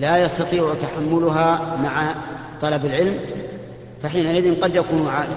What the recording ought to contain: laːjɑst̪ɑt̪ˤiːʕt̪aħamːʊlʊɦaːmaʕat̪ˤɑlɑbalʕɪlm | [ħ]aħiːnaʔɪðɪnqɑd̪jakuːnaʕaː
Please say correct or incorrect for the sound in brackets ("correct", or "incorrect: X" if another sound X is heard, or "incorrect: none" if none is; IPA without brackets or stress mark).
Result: incorrect: f